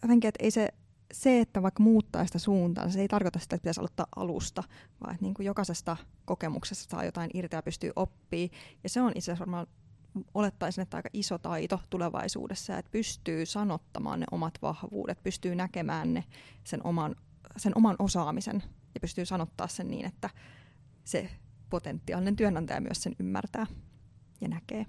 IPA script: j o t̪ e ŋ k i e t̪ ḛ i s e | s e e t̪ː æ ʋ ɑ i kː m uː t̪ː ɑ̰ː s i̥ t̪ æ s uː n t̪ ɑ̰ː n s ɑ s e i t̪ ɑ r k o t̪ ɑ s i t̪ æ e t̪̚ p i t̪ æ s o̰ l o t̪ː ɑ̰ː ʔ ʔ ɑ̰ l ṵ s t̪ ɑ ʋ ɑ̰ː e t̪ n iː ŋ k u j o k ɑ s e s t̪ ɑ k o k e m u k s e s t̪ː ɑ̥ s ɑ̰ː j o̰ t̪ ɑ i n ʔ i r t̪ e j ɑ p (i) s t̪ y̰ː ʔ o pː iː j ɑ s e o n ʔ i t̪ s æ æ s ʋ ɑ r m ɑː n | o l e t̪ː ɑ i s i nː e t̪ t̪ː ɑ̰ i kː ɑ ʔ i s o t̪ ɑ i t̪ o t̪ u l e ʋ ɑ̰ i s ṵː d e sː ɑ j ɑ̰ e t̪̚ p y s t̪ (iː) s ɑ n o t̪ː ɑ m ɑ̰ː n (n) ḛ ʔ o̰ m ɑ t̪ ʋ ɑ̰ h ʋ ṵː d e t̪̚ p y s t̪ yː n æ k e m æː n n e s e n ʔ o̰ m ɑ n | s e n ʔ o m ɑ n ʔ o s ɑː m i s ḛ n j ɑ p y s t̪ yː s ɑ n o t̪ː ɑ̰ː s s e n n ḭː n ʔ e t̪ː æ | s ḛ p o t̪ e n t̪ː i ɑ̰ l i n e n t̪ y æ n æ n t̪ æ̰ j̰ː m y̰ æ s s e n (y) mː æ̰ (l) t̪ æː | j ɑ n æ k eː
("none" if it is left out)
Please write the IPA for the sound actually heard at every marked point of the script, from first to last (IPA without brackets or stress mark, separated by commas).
y, yː, n, y, r